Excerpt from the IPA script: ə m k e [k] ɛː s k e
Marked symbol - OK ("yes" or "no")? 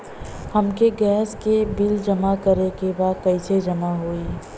no